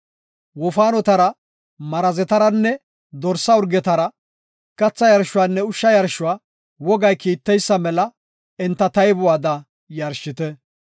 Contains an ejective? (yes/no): no